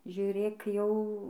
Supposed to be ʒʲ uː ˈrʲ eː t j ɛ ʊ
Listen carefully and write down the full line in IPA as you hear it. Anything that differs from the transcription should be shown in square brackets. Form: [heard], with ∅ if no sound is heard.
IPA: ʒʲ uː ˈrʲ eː [k] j ɛ ʊ